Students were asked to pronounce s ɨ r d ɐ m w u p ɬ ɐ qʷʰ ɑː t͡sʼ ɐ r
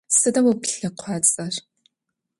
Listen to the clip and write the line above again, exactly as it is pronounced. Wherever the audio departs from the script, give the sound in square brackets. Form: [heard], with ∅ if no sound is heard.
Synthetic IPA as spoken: s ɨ [∅] d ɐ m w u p ɬ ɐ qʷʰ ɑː t͡sʼ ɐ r